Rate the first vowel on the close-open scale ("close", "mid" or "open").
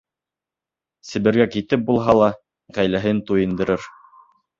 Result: mid